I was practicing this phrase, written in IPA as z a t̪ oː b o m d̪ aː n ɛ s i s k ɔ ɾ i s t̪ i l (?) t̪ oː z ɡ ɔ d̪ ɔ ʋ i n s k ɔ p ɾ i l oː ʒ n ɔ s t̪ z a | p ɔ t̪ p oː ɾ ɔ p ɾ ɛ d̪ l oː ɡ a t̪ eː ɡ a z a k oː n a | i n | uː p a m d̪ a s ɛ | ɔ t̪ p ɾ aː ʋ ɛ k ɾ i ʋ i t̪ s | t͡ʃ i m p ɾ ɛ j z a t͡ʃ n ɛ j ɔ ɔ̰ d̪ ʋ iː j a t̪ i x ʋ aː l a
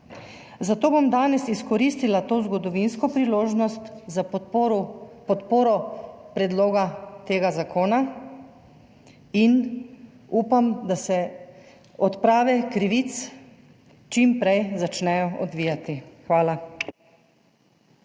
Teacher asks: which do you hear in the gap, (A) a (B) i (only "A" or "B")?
A